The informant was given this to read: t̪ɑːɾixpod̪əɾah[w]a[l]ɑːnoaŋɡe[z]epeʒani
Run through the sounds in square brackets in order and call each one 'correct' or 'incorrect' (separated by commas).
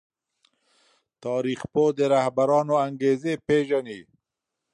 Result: incorrect, incorrect, correct